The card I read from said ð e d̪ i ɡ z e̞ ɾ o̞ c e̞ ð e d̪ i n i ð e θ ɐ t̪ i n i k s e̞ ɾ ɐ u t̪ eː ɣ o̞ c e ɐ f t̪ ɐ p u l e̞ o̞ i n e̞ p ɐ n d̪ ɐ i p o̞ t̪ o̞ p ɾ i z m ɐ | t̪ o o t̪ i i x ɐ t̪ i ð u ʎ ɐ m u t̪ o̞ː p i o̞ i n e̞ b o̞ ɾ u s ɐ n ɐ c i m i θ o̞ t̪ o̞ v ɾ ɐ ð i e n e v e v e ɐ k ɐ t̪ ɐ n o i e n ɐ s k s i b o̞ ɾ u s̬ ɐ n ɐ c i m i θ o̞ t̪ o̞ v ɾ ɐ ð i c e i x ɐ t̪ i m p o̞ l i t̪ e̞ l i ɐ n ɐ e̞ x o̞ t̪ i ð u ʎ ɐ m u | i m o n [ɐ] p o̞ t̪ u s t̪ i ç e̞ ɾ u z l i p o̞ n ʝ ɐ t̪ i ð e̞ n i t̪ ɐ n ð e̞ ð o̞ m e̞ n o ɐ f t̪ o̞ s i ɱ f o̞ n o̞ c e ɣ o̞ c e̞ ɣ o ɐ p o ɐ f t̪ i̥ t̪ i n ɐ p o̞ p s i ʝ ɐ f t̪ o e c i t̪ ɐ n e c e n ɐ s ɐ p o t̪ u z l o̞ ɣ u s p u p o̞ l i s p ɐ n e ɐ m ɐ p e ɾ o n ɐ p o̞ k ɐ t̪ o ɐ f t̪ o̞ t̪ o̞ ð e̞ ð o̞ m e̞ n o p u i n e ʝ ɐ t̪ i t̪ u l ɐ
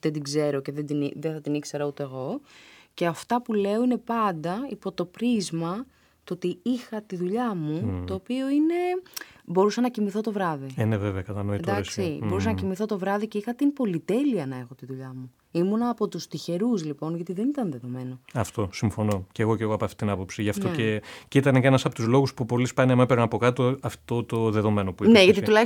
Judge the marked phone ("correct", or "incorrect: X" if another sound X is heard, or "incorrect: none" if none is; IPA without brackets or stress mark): incorrect: ɐː